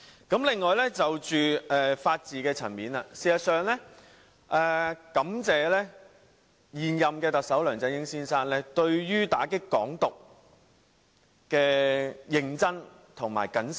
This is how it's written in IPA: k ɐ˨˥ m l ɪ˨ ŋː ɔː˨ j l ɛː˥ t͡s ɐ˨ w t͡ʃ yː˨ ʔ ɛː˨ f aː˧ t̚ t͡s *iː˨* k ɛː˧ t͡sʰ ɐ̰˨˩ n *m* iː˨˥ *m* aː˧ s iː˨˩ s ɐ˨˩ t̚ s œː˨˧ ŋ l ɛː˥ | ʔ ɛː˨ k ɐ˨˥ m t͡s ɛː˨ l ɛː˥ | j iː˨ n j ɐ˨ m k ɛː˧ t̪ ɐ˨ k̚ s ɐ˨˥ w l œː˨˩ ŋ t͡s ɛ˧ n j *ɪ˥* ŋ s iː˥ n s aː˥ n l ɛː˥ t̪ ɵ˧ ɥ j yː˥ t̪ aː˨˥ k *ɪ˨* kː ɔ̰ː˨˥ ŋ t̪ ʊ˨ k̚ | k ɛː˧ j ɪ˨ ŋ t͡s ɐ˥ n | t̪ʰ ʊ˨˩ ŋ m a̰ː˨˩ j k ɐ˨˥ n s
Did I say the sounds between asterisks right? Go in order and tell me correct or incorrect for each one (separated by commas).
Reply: correct, correct, incorrect, correct, incorrect